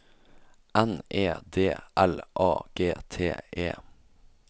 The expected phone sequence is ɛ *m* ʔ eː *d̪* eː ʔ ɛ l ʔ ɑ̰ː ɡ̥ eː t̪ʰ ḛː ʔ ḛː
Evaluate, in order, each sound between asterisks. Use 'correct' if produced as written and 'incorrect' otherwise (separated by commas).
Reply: incorrect, correct